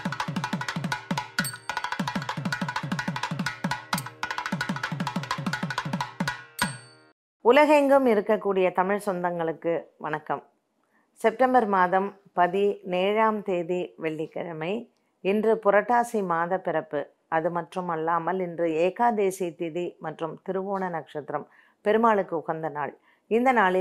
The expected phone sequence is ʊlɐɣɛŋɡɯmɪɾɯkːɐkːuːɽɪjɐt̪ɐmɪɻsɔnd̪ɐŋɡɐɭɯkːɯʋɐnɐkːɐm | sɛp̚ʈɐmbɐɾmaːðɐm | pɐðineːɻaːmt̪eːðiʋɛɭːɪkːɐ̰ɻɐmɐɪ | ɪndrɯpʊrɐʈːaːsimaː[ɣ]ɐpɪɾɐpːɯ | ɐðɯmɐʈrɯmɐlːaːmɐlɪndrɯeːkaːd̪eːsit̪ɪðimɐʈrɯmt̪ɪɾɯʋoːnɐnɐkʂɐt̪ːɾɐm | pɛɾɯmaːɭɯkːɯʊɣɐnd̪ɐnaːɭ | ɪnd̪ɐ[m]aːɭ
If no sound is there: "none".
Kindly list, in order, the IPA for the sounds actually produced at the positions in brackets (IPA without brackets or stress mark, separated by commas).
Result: ð, n